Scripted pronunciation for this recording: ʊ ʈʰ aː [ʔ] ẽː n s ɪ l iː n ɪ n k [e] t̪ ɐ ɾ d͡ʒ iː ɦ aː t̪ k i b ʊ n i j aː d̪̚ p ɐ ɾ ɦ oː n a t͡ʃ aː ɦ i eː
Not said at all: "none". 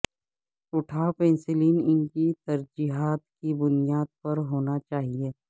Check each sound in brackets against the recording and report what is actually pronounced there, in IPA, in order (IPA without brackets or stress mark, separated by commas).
p, i